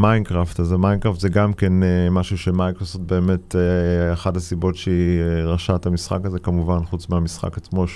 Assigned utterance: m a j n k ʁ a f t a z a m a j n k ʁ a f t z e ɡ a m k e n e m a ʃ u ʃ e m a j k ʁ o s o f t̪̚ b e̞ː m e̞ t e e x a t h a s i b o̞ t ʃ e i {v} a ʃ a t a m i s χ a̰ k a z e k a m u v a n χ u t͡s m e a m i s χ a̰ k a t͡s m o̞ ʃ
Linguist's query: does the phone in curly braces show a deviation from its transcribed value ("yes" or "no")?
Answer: yes